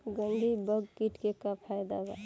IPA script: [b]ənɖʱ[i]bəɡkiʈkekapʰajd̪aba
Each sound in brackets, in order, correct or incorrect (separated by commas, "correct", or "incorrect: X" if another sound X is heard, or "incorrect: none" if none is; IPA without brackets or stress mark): incorrect: ɡ, correct